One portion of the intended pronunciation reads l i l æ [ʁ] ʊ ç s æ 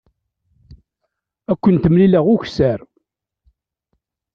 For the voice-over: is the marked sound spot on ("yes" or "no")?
yes